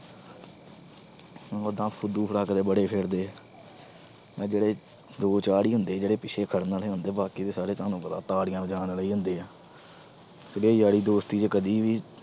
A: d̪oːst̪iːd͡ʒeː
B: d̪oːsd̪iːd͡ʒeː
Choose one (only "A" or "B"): A